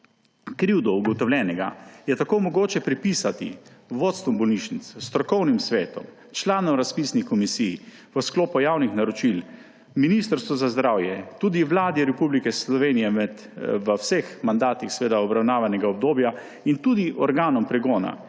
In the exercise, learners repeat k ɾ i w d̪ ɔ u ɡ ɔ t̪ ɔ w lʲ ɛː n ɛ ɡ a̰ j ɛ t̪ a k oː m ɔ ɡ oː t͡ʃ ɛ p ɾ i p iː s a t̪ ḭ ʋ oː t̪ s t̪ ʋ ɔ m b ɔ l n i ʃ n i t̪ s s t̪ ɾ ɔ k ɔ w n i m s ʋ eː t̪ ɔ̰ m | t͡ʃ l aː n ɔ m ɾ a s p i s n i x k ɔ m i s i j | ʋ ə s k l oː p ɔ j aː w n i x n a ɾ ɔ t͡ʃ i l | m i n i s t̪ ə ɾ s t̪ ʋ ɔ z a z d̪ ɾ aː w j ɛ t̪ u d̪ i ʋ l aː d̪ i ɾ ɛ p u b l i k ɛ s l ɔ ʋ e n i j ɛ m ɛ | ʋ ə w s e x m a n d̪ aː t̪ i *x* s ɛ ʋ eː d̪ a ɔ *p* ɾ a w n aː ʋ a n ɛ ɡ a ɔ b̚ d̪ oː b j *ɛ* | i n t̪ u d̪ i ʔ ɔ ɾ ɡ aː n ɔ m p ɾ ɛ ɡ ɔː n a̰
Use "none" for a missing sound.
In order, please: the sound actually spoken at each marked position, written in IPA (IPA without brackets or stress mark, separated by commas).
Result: x, b, a